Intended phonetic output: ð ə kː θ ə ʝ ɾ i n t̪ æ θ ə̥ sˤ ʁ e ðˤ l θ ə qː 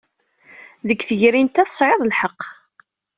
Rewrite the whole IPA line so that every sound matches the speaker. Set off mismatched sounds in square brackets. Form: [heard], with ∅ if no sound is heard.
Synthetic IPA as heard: ð ə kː θ ə ʝ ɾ i n t̪ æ θ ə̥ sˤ [ʕ] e ðˤ l [ħ] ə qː